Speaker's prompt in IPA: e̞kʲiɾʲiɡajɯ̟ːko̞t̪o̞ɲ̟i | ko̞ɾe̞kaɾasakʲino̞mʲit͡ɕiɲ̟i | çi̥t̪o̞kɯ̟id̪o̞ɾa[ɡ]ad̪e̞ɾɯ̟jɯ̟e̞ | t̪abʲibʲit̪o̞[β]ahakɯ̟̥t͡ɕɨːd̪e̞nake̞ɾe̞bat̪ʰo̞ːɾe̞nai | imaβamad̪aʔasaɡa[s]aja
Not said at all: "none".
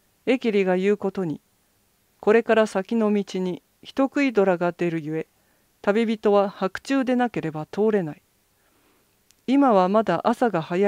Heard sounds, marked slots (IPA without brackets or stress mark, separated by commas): ɡ, β, h